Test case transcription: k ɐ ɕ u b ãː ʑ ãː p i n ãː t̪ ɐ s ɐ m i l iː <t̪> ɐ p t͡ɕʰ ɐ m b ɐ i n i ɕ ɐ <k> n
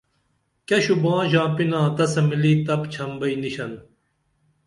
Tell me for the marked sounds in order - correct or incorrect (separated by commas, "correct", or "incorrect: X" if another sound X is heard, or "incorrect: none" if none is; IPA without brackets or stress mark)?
correct, incorrect: none